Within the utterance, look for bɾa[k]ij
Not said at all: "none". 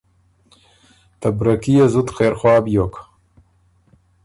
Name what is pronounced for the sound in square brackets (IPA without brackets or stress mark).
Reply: k